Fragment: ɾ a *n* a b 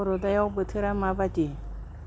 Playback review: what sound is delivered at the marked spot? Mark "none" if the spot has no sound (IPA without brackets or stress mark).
m